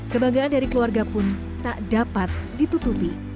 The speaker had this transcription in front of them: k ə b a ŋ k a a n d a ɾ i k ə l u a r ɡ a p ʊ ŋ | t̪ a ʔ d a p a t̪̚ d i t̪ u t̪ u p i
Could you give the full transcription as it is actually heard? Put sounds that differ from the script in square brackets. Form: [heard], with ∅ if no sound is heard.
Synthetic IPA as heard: k ə b a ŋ [ɡ] a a n d a ɾ i k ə l u a r ɡ a p ʊ [n] | t̪ a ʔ d a p a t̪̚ d i t̪ u t̪ u p i

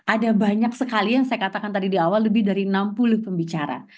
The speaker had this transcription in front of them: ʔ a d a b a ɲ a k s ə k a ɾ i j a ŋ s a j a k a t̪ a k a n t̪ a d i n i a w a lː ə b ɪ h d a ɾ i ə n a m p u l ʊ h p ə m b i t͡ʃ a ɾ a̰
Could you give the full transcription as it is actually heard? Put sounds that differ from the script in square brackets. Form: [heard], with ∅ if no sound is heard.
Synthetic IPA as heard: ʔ a d a b a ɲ a k s ə k a [l] i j a ŋ s a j a k a t̪ a k a n t̪ a d i [d] i a w a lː ə b ɪ h d a ɾ i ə n a m p u l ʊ h p ə m b i t͡ʃ a ɾ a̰

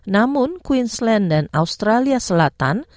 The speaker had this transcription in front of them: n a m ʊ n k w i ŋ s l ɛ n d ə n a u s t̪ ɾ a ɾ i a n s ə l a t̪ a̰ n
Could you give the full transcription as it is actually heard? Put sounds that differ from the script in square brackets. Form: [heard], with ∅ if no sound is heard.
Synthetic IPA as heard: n a m ʊ n k w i [n] s l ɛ n d [a] n a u s t̪ ɾ a [l] i a [∅] s ə l a t̪ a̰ n

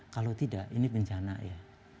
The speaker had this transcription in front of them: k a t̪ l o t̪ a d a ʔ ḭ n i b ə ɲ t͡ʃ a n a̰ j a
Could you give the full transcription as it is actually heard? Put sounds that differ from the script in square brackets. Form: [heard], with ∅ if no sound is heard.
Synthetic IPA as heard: k a [∅] l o t̪ [i] d a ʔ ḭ n i b ə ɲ t͡ʃ a n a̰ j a

